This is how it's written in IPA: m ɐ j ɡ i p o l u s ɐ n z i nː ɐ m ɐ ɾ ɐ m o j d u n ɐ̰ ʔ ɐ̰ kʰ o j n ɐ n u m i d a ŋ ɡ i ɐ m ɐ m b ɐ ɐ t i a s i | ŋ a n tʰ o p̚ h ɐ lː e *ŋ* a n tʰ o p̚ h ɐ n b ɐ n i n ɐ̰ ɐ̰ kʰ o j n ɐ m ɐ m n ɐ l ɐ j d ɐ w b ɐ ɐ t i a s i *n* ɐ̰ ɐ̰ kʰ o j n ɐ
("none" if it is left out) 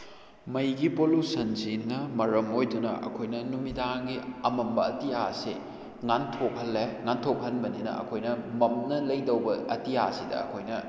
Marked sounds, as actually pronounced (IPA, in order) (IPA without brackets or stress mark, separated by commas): ŋ, d